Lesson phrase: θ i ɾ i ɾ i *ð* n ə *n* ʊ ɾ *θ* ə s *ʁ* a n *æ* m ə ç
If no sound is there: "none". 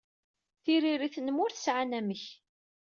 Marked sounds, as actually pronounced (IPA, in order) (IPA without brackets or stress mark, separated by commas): θ, m, θ, ʕ, æ